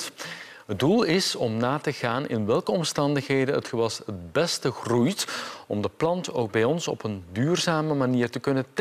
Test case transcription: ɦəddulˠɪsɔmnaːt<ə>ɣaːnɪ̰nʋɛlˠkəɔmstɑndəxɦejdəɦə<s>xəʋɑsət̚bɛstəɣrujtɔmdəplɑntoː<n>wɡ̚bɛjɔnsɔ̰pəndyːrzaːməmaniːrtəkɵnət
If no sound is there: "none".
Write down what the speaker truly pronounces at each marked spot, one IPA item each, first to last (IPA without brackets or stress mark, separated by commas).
ə, t, none